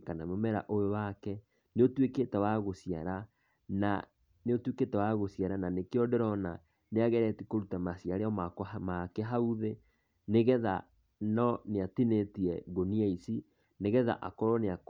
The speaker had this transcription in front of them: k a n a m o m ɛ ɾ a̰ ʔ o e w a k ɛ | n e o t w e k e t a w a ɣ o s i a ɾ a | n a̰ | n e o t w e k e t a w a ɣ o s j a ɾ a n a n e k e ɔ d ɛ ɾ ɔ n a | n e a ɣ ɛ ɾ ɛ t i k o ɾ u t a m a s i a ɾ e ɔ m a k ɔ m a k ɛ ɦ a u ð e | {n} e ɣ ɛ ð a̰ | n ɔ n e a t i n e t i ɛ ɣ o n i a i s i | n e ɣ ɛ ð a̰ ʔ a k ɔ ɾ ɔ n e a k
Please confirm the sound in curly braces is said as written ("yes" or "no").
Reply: yes